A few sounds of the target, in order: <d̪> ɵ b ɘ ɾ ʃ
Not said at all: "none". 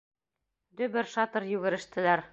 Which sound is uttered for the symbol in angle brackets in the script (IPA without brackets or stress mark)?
d̪